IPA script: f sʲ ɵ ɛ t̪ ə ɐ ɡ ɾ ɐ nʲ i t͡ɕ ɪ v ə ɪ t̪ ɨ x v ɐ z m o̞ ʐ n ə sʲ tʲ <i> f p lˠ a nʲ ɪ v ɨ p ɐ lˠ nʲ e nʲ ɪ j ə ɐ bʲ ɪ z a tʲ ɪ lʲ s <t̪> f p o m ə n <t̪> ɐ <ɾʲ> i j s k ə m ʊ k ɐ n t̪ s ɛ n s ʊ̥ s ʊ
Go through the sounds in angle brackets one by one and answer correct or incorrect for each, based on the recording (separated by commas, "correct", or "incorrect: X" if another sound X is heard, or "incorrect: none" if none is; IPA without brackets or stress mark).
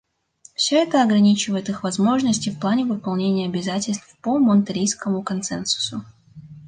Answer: incorrect: ɪ, correct, correct, correct